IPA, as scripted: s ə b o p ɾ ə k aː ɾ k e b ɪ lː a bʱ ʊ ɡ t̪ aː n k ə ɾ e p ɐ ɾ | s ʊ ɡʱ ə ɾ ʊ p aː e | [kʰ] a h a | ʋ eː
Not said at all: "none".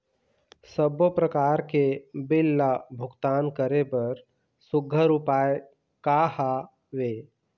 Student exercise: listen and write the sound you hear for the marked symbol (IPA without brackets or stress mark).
k